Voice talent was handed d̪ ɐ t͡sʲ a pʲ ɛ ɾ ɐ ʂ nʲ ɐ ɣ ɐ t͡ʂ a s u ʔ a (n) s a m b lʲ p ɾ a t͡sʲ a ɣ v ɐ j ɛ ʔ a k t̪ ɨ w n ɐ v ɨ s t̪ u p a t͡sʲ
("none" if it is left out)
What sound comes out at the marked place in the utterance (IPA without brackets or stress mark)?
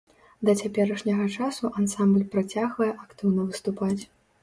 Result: n